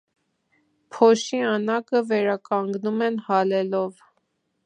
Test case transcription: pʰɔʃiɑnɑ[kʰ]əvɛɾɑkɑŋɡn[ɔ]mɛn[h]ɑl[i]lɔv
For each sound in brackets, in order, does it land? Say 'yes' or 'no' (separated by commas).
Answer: no, no, yes, no